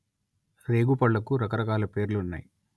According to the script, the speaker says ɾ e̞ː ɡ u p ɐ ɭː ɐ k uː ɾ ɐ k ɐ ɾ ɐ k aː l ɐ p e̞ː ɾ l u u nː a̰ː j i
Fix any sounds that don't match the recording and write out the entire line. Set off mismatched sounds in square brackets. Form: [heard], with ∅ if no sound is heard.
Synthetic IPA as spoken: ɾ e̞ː ɡ u p ɐ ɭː ɐ k [u] ɾ ɐ k ɐ ɾ ɐ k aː l ɐ p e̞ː ɾ l u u nː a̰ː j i